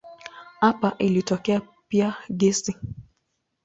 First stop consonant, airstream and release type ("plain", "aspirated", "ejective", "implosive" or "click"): plain